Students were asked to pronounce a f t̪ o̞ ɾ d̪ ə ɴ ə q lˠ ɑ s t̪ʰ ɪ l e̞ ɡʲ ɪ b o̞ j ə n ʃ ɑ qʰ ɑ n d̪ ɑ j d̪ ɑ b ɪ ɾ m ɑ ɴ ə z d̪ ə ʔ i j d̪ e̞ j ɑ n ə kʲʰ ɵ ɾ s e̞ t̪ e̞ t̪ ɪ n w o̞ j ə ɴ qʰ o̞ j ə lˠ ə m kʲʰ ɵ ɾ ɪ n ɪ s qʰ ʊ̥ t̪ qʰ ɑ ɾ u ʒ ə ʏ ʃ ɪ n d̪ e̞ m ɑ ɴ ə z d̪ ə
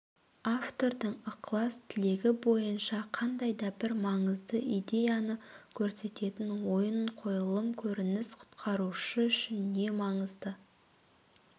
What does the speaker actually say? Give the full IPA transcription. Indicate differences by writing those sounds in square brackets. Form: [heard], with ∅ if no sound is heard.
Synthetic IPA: a f t̪ o̞ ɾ d̪ ə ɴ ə q lˠ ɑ s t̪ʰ ɪ l e̞ ɡʲ ɪ b o̞ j ə n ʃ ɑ qʰ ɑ n d̪ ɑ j d̪ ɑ b ɪ ɾ m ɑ ɴ ə z d̪ ə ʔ i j d̪ e̞ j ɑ n ə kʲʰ ɵ ɾ s e̞ t̪ e̞ t̪ ɪ n w o̞ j ə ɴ qʰ o̞ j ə lˠ ə m kʲʰ ɵ ɾ ɪ n ɪ s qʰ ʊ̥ t̪ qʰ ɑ ɾ u [ʃ] ə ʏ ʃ ɪ n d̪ e̞ m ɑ ɴ ə z d̪ ə

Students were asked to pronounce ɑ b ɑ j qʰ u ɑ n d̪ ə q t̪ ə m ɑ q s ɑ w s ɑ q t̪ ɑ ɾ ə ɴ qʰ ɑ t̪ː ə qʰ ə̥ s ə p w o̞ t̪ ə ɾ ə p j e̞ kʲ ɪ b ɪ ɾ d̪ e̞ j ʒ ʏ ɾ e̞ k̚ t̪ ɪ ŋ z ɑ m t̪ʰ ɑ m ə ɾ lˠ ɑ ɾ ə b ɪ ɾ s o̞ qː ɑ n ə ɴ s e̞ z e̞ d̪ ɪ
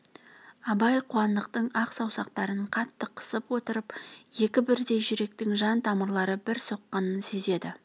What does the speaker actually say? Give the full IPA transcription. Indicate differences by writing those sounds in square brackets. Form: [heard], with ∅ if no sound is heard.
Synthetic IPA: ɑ b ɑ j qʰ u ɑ n d̪ ə q t̪ ə [ɴ] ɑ q s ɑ w s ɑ q t̪ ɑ ɾ ə ɴ qʰ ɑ t̪ː ə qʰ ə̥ s ə p w o̞ t̪ ə ɾ ə p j e̞ kʲ ɪ b ɪ ɾ d̪ e̞ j ʒ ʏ ɾ e̞ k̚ t̪ ɪ ŋ [ʒ] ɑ [n] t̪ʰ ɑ m ə ɾ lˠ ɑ ɾ ə b ɪ ɾ s o̞ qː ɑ n ə [n] s e̞ z e̞ d̪ ɪ

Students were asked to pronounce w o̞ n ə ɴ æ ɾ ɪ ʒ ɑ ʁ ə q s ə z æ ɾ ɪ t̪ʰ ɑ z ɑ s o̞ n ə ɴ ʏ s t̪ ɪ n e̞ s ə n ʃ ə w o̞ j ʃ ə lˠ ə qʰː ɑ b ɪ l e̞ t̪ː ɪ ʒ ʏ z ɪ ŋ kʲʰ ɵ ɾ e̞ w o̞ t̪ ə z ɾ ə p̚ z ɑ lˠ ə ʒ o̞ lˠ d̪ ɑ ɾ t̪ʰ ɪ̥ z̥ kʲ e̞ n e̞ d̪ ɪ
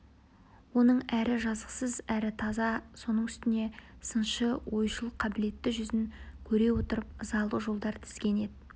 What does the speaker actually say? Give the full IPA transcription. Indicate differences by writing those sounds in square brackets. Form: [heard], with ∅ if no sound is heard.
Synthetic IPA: w o̞ n ə ɴ æ ɾ ɪ ʒ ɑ [z] ə q s ə z æ ɾ ɪ t̪ʰ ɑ z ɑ s o̞ n ə ɴ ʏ s t̪ ɪ n e̞ s ə n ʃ ə w o̞ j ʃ ə lˠ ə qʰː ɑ b ɪ l e̞ t̪ː ɪ ʒ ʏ z ɪ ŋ kʲʰ ɵ ɾ e̞ w o̞ t̪ ə [∅] ɾ ə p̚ z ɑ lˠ ə ʒ o̞ lˠ d̪ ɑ ɾ t̪ʰ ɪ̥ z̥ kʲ e̞ n e̞ d̪ ɪ

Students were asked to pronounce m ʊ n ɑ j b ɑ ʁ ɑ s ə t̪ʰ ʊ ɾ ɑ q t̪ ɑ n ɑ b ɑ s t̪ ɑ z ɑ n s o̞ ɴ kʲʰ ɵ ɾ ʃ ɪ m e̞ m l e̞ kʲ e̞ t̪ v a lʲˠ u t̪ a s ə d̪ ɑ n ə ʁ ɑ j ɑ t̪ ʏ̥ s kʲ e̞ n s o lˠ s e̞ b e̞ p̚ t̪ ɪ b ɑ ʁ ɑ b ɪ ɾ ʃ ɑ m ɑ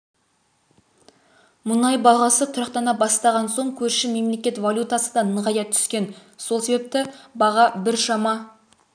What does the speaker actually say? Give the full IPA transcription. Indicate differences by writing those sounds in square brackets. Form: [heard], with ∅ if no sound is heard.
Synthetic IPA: m ʊ n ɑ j b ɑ ʁ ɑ s ə t̪ʰ ʊ ɾ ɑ q t̪ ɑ n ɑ b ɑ s t̪ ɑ [ʁ] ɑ n s o̞ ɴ kʲʰ ɵ ɾ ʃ ɪ m e̞ m l e̞ kʲ e̞ t̪ v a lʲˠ u t̪ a s ə d̪ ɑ n ə ʁ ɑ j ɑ [t̪ʰ] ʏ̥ s kʲ e̞ n s o lˠ s e̞ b e̞ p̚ t̪ ɪ b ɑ ʁ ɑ b ɪ ɾ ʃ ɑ m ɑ

